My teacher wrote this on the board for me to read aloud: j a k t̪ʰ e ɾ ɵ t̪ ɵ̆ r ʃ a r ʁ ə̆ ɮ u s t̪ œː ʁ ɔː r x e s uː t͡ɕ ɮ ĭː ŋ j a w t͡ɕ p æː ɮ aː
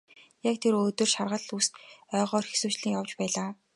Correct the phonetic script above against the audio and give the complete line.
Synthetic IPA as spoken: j a k t̪ʰ e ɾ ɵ t̪ ɵ̆ r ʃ a r ʁ ə̆ ɮ u s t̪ œː ʁ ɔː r x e s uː t͡ɕ ɮ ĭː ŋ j a w t͡ɕ p æː ɮ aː

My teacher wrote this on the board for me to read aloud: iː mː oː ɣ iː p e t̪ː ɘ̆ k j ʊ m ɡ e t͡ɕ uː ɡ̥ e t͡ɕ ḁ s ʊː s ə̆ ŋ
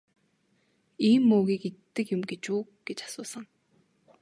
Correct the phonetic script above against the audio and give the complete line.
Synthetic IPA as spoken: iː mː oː ɣ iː k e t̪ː ɘ̆ k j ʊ m ɡ e t͡ɕ uː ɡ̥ e t͡ɕ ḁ s ʊː s ə̆ ŋ

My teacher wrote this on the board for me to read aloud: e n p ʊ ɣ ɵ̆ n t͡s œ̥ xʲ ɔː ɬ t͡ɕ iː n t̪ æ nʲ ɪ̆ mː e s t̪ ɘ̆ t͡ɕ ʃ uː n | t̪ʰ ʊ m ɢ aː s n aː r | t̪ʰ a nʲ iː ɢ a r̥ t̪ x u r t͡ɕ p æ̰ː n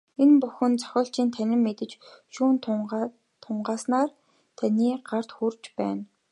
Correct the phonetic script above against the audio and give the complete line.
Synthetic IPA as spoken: e n p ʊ x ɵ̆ n t͡s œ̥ xʲ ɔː ɬ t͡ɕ iː n t̪ʰ æ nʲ ɪ̆ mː e t̪ ɘ̆ t͡ɕ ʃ uː n | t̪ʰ ʊ ɴ ɢ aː s n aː r | t̪ʰ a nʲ iː ɢ a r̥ t̪ x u r t͡ɕ p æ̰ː n

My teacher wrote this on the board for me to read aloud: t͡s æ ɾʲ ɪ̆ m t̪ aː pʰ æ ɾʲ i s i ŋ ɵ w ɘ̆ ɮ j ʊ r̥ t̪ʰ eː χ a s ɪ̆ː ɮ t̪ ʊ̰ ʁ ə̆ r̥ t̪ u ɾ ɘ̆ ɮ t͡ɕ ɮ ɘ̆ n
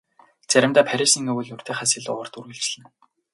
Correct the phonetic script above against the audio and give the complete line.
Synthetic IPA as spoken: t͡s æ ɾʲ ɪ̆ m t̪ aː pʰ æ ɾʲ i s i ŋ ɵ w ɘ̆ ɮ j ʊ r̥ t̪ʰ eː χ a s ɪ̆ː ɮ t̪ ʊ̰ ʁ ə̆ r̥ t̪ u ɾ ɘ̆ ɮ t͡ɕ ɮ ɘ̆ n

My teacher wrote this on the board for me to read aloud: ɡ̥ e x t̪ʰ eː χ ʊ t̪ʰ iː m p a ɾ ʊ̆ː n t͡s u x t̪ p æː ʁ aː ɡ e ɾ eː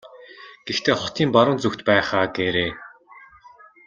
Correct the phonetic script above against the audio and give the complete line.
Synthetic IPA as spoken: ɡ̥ e x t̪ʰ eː χ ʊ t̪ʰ iː m p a ɾ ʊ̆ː n t͡s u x t̪ p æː χ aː ɡ e ɾ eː

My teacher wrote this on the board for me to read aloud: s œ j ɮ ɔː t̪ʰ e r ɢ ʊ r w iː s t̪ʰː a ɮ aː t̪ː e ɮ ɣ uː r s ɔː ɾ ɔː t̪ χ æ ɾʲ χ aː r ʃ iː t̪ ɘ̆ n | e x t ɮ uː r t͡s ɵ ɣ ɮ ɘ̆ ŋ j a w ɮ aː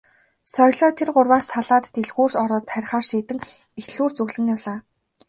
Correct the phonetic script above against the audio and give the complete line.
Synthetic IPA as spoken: s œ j ɮ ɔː t̪ʰ e r ɢ ʊ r w aː s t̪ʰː a ɮ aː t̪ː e ɮ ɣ uː r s ɔ ɾ ɔː t̪ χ æ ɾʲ χ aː r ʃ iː t̪ ɘ̆ ŋ | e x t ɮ uː r t͡s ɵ ɣ ɮ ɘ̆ ŋ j a w ɮ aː

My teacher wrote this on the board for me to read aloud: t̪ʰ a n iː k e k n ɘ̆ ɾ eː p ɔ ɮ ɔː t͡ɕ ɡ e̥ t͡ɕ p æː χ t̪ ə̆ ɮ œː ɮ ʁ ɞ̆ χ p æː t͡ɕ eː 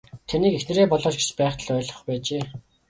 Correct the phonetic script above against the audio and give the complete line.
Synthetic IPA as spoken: t̪ʰ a n iː k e x n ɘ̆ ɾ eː p ɔ ɮ ɔː t͡ɕ ɡ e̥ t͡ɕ p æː χ t̪ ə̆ ɮ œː ɮ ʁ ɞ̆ χ p æː t͡ɕ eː

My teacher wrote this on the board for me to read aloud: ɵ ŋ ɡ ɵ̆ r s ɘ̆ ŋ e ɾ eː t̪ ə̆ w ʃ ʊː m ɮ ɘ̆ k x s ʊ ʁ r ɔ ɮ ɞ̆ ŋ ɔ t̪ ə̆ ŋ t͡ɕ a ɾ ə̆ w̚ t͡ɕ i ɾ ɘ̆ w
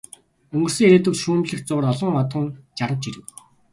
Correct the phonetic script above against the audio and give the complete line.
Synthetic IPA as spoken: ɵ ŋ ɡ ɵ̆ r s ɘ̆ ŋ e ɾ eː t̪ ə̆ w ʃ uː m ɮ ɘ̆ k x t͡s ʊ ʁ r ɔ ɮ ɞ̆ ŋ ɔ t̪ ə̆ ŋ t͡ɕ a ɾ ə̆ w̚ t͡ɕ i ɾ ɘ̆ w

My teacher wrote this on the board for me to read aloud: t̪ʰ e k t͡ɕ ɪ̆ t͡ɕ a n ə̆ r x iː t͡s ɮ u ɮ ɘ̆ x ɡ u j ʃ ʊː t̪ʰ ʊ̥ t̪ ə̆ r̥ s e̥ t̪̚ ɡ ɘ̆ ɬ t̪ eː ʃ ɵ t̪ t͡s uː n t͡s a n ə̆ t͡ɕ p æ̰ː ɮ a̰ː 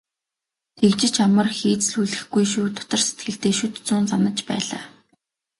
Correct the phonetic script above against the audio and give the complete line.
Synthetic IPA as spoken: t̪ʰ e k t͡ɕ ɪ̆ t͡ɕ a m ə̆ r x iː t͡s ɮ u ɮ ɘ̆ x ɡ u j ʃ uː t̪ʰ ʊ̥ t̪ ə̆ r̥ s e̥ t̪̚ ɡ ɘ̆ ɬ t̪ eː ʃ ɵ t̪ t͡s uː n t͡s a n ə̆ t͡ɕ p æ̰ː ɮ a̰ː

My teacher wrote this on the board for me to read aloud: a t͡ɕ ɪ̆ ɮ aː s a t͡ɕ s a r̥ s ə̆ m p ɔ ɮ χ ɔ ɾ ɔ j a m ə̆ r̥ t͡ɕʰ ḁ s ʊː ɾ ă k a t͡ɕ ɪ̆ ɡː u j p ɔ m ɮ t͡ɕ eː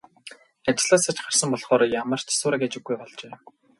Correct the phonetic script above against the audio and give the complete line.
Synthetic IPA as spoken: a t͡ɕ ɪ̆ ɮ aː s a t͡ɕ χ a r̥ s ə̆ m p ɔ ɮ χ ɔː ɾ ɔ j a m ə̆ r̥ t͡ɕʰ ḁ s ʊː ɾ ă k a t͡ɕ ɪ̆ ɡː u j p ɔ ɮ t͡ɕ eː

